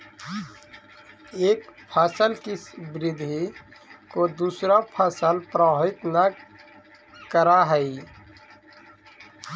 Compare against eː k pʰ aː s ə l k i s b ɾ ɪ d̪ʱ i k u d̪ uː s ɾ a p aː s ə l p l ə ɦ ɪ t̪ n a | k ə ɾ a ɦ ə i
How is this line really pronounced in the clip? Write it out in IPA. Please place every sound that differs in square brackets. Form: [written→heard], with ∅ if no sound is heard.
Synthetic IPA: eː k pʰ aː s ə l k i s b ɾ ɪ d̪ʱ i k [u→o] d̪ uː s ɾ a [p→pʰ] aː s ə l p [l→ɾ] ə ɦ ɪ t̪ n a | k ə ɾ a ɦ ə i